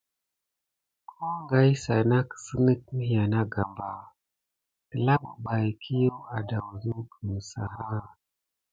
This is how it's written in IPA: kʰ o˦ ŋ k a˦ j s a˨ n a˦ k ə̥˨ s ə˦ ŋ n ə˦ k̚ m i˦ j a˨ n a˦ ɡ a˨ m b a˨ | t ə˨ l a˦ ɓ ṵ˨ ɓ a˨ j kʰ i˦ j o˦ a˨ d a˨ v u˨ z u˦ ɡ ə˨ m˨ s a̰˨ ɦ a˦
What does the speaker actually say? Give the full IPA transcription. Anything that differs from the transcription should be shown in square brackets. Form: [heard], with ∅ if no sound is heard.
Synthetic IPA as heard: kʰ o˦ ŋ [ɡ] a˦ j s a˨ n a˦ k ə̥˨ s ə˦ [∅] n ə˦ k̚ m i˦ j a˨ n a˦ ɡ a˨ m b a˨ | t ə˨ l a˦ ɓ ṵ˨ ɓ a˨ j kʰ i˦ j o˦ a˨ d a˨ [w] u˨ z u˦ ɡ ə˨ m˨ s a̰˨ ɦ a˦